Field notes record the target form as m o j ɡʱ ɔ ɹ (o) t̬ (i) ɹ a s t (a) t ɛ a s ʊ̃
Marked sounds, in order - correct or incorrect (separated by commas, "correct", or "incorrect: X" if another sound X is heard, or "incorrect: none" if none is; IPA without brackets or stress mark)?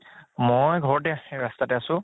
incorrect: ɔ, incorrect: ɛ, correct